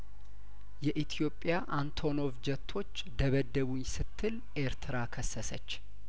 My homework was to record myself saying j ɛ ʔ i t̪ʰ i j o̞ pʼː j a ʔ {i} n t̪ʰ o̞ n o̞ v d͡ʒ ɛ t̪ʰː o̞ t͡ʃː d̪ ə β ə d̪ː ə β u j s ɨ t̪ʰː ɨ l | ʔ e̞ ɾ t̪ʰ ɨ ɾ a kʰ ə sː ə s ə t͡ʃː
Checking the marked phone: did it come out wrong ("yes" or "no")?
yes